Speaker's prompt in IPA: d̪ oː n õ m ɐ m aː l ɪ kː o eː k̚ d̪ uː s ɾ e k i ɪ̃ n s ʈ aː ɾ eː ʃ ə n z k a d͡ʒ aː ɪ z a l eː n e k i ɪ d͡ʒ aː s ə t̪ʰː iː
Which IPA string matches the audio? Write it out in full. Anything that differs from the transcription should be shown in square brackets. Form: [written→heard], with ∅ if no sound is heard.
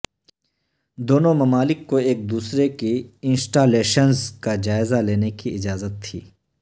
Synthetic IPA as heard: d̪ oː n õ m ɐ m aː l ɪ kː o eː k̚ d̪ uː s ɾ e k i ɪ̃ n s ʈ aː [ɾ→l] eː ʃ ə n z k a d͡ʒ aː ɪ z a l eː n e k i ɪ d͡ʒ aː [s→z] ə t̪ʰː iː